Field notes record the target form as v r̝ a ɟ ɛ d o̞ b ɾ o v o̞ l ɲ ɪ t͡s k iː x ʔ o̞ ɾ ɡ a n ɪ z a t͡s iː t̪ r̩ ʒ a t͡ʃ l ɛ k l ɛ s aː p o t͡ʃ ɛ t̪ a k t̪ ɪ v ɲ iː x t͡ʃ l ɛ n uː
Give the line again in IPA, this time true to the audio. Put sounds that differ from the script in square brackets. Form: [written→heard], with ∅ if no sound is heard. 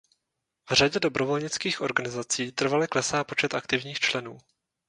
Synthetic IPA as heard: v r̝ a ɟ ɛ d o̞ b ɾ o v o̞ l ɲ ɪ t͡s k iː x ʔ o̞ ɾ ɡ a n ɪ z a t͡s iː t̪ r̩ [ʒ→v] a [t͡ʃ→∅] l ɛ k l ɛ s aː p o t͡ʃ ɛ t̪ a k t̪ ɪ v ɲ iː x t͡ʃ l ɛ n uː